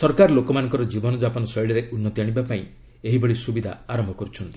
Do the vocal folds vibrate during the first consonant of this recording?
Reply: no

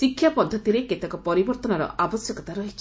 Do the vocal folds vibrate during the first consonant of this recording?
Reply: no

